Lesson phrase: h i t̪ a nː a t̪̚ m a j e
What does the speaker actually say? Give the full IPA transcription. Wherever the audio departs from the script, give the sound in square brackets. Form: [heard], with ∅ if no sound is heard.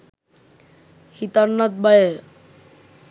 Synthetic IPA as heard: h i t̪ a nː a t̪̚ [b] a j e